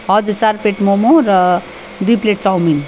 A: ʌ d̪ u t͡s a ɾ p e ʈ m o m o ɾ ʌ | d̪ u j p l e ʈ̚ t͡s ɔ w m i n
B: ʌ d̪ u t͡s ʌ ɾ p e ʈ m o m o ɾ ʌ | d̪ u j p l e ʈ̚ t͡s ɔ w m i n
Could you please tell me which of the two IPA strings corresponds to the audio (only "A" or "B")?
A